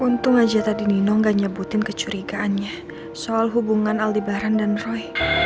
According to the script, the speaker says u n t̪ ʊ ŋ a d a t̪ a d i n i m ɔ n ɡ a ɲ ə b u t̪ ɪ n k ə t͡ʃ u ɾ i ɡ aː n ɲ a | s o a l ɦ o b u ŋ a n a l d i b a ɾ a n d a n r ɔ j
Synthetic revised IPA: u n t̪ ʊ ŋ a d͡ʒ a t̪ a d i n i n ɔ ŋ ɡ a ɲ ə b u t̪ ɪ n k ə t͡ʃ u ɾ i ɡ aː n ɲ a | s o a l ɦ u b u ŋ a n a l d i b a ɾ a n d a n r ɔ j